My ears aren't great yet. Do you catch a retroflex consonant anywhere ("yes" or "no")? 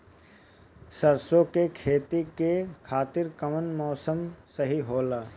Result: no